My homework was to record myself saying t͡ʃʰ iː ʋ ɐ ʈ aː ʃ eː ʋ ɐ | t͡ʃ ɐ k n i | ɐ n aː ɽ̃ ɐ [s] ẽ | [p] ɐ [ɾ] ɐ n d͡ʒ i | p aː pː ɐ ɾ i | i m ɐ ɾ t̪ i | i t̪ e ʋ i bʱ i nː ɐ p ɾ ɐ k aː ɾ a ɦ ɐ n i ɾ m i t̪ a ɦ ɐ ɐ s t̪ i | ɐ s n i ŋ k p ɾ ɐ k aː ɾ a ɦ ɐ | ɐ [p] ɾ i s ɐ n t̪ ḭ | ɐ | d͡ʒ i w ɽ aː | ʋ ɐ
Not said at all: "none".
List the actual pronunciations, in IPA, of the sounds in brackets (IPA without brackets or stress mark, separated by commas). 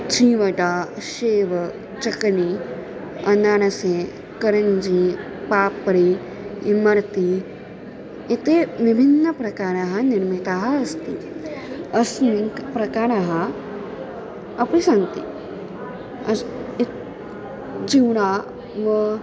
s, k, ɾ, p